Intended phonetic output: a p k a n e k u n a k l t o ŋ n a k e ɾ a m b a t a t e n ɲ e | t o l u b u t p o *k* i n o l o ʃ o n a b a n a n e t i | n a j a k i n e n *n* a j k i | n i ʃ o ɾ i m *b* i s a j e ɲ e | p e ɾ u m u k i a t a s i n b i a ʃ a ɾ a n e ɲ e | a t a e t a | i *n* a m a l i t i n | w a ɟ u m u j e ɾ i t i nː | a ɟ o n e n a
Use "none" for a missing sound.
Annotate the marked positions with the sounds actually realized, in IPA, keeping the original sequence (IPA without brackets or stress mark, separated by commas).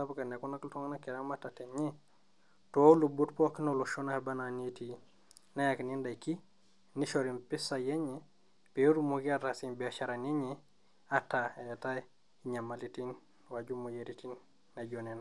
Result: k, d, p, ɲ